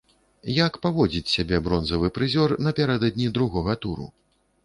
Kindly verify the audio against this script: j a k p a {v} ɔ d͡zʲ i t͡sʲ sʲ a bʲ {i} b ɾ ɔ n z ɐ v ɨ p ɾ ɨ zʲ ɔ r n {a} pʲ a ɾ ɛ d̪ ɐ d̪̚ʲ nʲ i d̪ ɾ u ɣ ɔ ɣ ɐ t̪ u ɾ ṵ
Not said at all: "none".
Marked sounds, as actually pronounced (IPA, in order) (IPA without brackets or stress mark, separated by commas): v, ɛ, ɐ